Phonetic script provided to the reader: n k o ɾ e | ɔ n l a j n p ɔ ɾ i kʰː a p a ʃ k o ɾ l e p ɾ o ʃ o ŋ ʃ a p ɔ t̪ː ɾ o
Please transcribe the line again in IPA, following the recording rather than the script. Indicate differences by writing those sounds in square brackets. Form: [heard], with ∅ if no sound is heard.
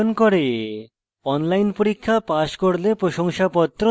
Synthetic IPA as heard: n k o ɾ e | ɔ n l a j n p [o] ɾ i kʰː a p a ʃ k o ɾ l e p ɾ o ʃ o ŋ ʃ a p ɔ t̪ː ɾ o